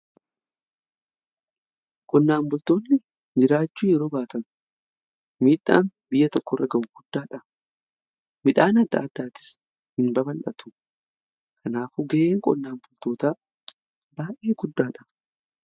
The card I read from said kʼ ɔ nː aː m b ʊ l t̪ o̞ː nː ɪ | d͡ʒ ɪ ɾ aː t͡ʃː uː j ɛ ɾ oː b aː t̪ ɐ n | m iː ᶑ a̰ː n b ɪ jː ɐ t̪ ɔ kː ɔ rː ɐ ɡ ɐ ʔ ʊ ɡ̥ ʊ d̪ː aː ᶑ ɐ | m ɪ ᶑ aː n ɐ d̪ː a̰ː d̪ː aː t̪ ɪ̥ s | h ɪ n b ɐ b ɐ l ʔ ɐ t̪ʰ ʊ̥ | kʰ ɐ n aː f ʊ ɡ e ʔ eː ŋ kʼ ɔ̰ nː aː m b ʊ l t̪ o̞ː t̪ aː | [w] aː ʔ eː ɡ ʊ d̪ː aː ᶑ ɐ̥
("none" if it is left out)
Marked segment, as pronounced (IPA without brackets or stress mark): b